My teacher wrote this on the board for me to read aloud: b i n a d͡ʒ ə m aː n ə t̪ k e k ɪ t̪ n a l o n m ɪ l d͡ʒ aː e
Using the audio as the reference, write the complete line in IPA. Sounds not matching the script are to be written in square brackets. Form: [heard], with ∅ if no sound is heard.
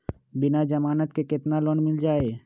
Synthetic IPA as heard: b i n a d͡ʒ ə m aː n ə t̪ k e k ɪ t̪ n a l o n m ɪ l d͡ʒ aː e